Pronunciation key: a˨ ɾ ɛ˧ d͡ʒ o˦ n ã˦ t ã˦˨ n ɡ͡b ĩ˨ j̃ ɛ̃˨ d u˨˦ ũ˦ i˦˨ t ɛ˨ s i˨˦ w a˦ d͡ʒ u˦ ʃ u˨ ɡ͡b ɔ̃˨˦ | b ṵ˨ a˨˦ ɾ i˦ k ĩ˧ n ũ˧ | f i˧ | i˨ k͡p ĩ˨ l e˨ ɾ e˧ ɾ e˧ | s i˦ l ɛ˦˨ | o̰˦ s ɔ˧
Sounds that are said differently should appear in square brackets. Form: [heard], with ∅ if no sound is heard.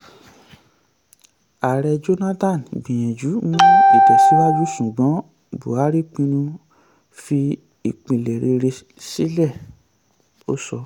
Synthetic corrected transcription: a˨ ɾ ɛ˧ d͡ʒ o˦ n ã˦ t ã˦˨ n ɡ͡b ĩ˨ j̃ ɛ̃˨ [d͡ʒ] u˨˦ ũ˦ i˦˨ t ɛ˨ s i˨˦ w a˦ d͡ʒ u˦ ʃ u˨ ɡ͡b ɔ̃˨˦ | b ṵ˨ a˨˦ ɾ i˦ [k͡p] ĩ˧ n ũ˧ | f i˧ | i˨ k͡p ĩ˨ l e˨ ɾ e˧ ɾ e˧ | s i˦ l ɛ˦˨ | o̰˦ s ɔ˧